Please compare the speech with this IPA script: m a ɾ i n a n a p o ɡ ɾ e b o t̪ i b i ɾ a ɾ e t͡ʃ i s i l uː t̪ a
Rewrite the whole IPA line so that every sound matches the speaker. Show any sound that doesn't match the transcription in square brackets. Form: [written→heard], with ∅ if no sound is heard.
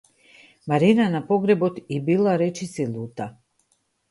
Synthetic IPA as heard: m a ɾ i n a n a p o ɡ ɾ e b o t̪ i b i [ɾ→l] a ɾ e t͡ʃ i s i l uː t̪ a